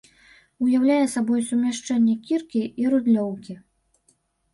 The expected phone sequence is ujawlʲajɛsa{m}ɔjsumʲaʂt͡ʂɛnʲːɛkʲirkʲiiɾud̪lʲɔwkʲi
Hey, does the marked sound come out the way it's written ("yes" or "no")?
no